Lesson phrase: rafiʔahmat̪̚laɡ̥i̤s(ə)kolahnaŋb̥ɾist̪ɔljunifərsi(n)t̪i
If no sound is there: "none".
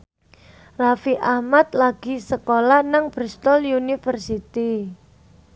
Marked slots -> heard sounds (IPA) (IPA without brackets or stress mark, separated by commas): ə, none